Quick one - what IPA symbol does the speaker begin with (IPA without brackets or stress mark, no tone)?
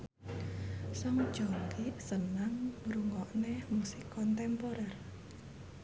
s